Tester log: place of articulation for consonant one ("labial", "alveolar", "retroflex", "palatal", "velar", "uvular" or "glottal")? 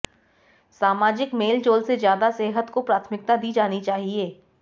alveolar